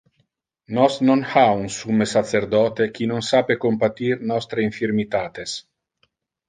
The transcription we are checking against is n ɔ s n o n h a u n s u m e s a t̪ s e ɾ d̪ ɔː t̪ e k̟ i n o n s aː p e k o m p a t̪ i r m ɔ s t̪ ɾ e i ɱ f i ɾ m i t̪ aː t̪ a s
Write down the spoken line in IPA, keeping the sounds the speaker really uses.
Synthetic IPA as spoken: n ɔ s n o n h a u n s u m e s a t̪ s e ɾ d̪ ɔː t̪ e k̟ i n o n s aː p e k o m p a t̪ i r n ɔ s t̪ ɾ e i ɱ f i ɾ m i t̪ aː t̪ e s